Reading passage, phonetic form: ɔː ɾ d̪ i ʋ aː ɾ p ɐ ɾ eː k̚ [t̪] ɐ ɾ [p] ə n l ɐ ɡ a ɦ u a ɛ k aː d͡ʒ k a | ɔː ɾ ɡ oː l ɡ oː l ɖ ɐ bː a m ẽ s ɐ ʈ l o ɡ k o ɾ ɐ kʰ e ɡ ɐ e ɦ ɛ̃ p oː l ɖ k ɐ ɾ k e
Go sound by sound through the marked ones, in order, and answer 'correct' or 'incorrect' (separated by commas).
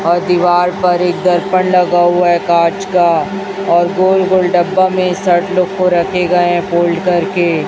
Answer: incorrect, correct